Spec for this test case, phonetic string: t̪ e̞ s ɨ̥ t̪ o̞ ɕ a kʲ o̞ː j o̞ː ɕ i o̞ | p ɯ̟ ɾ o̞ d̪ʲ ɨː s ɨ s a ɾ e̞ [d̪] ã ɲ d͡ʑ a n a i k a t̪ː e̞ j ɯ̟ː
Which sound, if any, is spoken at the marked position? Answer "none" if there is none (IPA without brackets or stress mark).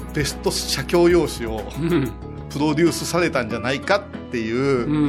t̪